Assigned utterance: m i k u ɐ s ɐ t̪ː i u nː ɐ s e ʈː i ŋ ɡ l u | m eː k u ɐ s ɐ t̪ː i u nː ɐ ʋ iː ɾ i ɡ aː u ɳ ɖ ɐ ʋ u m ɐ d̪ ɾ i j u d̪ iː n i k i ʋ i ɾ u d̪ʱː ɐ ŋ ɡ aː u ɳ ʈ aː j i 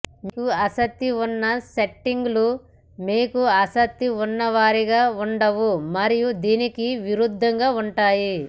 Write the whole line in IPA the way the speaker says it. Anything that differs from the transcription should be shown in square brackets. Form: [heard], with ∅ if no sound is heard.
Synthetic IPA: m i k u ɐ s ɐ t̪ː i u nː ɐ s e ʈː i ŋ ɡ l u | m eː k u ɐ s ɐ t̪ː i u nː ɐ ʋ [aː] ɾ i ɡ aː u ɳ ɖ ɐ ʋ u m ɐ [∅] ɾ i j u d̪ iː n i k i ʋ i ɾ u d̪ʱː ɐ ŋ ɡ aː u ɳ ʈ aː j i